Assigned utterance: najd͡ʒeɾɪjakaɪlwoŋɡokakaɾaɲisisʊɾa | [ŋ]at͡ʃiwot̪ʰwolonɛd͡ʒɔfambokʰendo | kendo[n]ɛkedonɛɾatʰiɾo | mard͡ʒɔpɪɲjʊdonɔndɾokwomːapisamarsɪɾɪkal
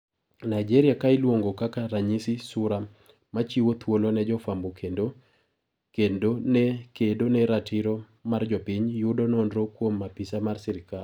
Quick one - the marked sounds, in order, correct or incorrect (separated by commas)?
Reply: incorrect, correct